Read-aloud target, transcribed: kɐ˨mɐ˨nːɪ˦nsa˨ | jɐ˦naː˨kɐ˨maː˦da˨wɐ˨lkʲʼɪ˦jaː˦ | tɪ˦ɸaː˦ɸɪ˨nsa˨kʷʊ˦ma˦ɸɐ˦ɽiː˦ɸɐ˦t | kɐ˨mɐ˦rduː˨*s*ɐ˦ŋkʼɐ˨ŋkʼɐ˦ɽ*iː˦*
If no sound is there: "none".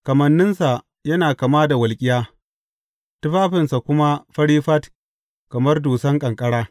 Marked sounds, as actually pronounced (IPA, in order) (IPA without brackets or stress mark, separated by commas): s, aː˦